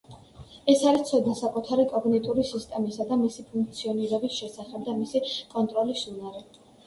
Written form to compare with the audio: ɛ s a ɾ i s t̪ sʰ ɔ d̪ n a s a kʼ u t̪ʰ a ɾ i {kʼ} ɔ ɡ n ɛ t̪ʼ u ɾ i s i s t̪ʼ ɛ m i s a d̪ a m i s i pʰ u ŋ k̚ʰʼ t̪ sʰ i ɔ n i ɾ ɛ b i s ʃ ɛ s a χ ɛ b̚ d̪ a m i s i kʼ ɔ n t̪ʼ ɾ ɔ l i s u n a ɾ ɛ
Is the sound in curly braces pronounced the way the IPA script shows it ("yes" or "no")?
yes